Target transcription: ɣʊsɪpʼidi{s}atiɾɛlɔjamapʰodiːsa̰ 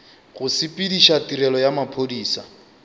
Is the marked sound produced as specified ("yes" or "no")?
no